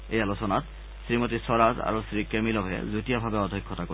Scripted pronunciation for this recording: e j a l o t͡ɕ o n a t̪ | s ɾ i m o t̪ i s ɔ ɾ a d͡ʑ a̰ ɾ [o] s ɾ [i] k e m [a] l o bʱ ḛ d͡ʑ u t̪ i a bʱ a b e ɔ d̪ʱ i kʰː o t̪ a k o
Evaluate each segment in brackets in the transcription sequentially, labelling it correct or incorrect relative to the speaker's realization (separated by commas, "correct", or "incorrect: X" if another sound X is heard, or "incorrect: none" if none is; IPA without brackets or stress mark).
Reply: correct, correct, incorrect: i